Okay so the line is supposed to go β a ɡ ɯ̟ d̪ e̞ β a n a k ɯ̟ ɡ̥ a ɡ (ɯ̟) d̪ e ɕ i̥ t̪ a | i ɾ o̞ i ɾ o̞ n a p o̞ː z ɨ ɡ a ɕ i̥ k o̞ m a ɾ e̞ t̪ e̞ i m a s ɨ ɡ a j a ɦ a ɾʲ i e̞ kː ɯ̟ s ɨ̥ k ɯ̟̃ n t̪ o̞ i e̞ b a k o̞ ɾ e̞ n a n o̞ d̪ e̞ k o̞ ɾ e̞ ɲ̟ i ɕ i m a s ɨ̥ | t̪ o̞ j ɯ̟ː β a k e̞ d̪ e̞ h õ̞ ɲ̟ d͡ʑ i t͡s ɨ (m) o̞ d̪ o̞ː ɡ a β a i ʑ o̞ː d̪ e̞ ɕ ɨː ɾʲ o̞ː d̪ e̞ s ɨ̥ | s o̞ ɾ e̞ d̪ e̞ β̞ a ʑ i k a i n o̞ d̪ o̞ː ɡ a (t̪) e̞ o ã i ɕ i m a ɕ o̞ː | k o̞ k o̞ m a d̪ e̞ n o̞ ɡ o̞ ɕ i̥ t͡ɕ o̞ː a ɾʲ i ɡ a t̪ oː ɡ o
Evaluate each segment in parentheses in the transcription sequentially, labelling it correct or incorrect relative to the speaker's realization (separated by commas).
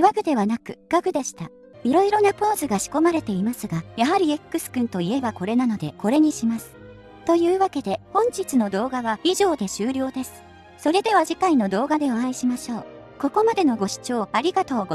correct, incorrect, incorrect